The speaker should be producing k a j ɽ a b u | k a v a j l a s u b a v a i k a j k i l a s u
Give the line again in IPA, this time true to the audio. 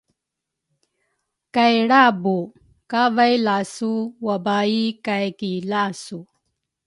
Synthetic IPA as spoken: k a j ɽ a b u | k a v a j l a s u w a b a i k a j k i l a s u